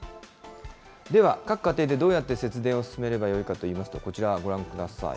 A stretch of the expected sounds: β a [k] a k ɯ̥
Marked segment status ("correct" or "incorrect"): correct